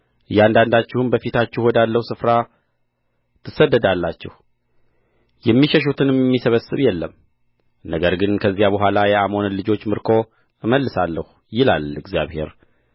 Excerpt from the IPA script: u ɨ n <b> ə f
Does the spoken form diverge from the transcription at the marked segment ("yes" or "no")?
no